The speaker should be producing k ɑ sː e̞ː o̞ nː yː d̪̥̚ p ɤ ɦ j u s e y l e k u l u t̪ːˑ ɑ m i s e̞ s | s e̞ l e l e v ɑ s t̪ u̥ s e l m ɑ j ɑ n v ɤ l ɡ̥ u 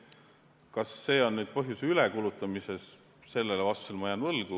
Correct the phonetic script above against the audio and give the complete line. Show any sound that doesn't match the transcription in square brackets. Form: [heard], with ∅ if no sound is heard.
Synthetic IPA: k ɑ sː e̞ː o̞ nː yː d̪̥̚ p ɤ ɦ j u s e y l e k u l u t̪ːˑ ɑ m i s e̞ s | s e̞ [lː] e l e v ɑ s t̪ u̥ s e l m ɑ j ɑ n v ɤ l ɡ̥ u